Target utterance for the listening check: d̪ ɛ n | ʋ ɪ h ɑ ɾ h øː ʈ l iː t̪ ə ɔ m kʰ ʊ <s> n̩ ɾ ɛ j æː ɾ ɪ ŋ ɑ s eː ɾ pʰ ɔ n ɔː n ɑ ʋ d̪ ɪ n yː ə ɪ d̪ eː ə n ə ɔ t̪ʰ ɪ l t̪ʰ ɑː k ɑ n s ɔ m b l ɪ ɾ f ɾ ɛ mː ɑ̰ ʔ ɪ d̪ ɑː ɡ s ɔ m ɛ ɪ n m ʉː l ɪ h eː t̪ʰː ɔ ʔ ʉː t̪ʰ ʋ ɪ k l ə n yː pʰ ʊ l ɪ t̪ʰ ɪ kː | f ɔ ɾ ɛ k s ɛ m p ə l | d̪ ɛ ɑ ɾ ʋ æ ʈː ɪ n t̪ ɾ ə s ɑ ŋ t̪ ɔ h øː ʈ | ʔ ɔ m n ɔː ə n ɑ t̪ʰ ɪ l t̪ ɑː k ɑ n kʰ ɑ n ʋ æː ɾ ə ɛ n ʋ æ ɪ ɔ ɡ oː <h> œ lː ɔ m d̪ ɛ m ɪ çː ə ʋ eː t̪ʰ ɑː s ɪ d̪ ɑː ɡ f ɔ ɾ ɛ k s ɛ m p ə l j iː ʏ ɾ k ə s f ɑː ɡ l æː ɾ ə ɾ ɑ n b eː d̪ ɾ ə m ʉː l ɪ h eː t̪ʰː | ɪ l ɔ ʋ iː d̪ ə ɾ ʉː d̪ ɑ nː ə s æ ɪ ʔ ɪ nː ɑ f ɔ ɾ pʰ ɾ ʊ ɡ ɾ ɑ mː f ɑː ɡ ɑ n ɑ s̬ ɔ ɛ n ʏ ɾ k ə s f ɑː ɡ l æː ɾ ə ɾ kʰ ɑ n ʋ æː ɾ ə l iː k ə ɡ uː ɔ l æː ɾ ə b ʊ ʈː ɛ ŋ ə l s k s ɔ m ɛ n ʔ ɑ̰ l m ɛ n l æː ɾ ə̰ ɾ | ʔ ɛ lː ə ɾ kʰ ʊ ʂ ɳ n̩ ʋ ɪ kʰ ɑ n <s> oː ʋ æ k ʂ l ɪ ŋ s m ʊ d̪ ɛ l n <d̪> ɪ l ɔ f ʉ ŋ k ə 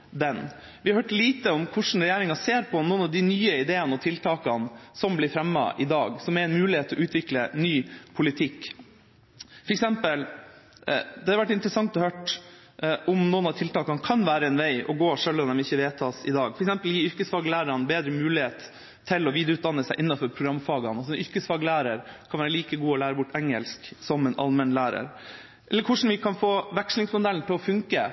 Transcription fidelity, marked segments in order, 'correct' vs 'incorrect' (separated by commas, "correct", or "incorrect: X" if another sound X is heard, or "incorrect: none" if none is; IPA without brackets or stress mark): incorrect: ʂ, incorrect: ʂ, incorrect: f, incorrect: t̪